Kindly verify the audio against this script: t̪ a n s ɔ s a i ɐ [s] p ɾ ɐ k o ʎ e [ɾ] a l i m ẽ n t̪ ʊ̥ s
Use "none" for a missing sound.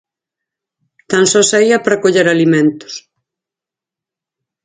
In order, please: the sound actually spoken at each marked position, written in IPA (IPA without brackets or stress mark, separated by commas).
none, ɾ